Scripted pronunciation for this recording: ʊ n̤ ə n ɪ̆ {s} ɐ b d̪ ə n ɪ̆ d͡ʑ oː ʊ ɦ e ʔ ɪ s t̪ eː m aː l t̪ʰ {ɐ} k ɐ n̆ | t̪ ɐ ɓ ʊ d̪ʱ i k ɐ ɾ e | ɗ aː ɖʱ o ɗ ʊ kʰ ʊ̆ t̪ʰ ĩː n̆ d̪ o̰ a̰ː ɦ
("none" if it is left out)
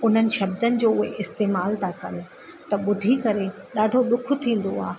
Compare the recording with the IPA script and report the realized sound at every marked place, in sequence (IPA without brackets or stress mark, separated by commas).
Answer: ʃ, a